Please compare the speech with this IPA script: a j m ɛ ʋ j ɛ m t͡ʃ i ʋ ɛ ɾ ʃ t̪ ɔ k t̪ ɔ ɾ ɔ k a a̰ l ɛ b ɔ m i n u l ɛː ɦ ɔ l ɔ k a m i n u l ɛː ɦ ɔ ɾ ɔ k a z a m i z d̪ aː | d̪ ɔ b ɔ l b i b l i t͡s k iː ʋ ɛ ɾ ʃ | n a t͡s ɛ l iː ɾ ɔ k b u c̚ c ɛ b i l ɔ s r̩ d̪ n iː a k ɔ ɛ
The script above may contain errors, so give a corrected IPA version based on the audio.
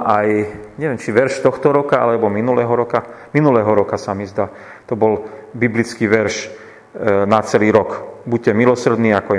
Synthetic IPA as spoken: a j ɲ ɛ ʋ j ɛ m t͡ʃ i ʋ ɛ ɾ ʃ t̪ ɔ x t̪ ɔ ɾ ɔ k a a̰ l ɛ b ɔ m i n u l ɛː ɦ ɔ ɾ ɔ k a m i n u l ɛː ɦ ɔ ɾ ɔ k a s a m i z d̪ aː | t̪ ɔ b ɔ l b i b l i t͡s k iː ʋ ɛ ɾ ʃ | n a t͡s ɛ l iː ɾ ɔ k b u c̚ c ɛ m i l ɔ s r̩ d̪ n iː a k ɔ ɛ